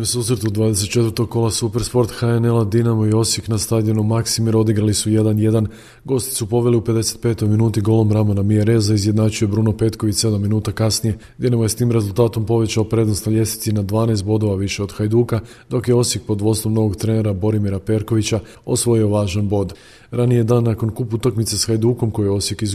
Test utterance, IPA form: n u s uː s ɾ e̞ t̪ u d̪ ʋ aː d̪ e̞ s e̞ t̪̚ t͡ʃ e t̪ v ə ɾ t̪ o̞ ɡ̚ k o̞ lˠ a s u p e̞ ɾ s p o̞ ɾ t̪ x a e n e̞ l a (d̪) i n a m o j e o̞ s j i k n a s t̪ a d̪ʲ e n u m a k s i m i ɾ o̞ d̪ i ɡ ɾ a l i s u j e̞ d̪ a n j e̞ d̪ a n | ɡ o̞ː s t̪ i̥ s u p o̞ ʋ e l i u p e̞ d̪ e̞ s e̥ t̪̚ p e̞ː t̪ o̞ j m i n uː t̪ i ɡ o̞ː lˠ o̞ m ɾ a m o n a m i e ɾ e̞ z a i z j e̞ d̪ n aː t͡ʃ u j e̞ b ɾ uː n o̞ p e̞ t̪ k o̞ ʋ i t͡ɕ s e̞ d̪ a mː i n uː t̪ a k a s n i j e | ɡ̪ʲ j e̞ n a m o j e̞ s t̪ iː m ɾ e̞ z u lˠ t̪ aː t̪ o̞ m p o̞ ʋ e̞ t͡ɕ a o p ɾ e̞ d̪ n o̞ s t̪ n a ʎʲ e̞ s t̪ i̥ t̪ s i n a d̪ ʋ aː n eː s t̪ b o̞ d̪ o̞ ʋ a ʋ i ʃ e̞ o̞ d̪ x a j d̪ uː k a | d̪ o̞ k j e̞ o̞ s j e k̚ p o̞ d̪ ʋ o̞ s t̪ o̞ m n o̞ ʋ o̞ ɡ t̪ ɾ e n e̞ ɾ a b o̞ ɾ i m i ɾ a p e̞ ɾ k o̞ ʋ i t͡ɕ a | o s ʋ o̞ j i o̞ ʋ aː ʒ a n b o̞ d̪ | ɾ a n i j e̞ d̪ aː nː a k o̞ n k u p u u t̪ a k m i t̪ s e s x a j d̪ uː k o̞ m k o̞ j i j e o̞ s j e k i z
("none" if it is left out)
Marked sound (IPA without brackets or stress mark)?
d̪